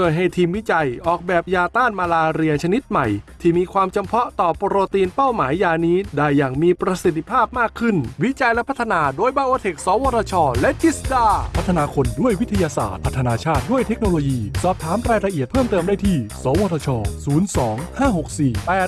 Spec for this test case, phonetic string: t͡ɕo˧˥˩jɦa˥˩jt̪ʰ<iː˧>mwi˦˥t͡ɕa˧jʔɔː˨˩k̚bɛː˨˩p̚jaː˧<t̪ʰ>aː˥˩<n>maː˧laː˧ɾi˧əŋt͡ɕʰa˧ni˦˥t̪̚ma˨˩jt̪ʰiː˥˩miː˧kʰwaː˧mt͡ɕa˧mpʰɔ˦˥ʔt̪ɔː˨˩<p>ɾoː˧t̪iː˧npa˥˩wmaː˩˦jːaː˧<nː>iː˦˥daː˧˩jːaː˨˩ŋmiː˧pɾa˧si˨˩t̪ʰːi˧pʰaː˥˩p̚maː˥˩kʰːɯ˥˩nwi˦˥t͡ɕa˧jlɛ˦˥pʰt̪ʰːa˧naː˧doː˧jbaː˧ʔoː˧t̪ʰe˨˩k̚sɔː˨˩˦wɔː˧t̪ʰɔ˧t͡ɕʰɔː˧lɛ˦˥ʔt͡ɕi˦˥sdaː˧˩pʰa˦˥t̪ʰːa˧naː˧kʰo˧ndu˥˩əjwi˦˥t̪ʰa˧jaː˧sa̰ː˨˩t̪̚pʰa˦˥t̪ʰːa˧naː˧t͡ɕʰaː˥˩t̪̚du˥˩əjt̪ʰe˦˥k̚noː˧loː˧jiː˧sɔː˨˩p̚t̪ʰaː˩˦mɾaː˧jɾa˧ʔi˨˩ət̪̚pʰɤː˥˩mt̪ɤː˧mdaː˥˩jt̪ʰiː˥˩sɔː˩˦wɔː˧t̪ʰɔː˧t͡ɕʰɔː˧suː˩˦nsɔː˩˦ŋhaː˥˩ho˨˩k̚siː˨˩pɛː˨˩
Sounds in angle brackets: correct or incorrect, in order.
correct, incorrect: t̪, correct, correct, incorrect: n

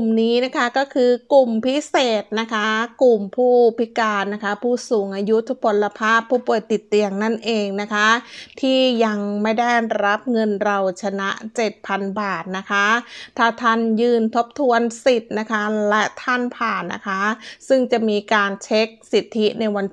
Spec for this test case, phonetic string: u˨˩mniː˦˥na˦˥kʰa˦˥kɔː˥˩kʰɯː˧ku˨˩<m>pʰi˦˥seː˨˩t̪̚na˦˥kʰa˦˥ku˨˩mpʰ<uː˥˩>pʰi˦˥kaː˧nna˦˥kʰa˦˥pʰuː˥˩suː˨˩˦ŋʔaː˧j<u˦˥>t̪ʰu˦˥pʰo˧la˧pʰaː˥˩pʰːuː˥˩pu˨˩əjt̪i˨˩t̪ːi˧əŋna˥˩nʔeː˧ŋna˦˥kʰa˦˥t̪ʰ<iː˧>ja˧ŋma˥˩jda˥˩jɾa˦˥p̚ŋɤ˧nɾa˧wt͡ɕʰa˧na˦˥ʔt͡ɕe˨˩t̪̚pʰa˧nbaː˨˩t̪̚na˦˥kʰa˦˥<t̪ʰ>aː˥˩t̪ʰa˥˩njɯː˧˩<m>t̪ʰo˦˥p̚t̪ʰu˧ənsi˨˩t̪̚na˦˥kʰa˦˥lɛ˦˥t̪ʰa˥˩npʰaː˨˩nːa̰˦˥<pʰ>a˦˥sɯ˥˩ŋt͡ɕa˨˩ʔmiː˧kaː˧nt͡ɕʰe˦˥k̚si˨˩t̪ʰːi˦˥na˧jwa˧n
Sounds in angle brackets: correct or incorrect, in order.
correct, correct, correct, incorrect: iː˥˩, correct, incorrect: n, incorrect: kʰ

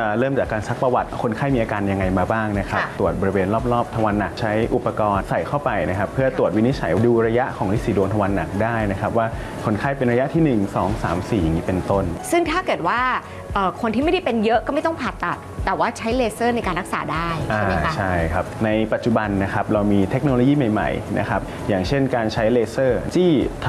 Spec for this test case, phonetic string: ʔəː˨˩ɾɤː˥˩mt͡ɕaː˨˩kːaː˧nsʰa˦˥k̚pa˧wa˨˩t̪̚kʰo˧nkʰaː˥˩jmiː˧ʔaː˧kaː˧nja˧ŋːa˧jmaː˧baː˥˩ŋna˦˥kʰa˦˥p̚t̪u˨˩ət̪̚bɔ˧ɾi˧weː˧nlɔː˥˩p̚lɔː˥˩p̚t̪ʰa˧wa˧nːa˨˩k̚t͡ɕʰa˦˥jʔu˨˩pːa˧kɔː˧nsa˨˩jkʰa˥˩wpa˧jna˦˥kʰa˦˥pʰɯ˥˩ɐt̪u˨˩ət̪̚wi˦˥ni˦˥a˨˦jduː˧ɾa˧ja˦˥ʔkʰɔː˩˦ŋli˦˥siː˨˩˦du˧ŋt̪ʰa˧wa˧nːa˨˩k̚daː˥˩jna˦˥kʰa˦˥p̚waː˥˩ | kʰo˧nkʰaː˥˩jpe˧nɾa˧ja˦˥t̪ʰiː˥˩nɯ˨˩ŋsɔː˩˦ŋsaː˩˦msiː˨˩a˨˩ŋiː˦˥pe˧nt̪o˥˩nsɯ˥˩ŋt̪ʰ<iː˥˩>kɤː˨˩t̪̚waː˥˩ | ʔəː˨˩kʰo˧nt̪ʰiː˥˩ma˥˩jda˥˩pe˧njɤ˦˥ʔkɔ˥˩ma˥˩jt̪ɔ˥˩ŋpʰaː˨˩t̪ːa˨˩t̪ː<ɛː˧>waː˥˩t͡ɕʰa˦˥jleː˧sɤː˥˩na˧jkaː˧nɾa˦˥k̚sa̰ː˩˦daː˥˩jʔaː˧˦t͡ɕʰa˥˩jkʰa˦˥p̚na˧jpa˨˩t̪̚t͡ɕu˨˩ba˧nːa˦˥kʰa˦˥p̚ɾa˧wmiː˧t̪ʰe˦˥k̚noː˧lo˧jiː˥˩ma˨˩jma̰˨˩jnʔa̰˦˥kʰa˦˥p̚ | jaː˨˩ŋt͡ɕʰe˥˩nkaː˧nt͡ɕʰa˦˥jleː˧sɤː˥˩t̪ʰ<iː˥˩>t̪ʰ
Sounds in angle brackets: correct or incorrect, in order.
incorrect: aː˥˩, incorrect: ɛː˨˩, correct

